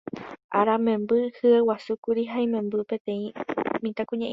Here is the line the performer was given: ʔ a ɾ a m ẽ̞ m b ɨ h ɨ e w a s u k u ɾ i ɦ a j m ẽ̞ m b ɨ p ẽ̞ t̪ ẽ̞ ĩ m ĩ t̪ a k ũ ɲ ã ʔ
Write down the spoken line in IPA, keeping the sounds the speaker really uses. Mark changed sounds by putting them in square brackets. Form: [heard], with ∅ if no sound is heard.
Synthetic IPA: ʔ a ɾ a m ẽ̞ m b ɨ h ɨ e w a s u k u ɾ i ɦ a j m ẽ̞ m b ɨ p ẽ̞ t̪ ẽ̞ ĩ m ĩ t̪ a k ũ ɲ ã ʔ